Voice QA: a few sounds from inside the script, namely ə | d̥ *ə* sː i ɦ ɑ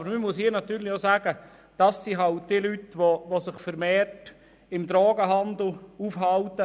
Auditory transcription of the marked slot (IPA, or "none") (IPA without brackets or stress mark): ɑ